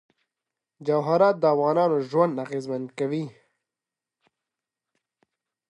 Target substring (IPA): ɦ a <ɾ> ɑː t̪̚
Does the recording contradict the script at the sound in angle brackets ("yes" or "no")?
no